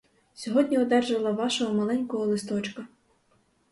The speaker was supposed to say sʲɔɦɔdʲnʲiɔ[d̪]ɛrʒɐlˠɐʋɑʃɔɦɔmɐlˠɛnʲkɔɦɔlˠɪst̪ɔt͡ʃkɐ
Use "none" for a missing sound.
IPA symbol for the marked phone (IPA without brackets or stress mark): d̪